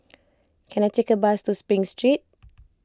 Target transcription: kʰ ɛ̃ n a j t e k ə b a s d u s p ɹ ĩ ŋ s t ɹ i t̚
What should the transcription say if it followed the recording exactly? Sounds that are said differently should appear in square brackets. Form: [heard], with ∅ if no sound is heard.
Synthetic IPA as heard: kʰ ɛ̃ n a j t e k ə b a s [t] u s p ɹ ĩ ŋ s t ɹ i t̚